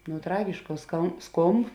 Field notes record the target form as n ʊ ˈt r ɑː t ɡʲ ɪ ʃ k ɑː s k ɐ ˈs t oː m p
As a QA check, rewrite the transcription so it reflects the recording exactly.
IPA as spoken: n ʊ ˈt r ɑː ɡʲ ɪ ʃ k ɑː s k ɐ ˈs k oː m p